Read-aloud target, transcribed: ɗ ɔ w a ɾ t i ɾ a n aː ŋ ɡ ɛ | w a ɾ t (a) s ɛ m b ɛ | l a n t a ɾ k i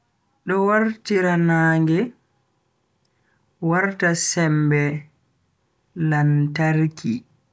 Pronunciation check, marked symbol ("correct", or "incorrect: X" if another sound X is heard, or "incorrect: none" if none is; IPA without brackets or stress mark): correct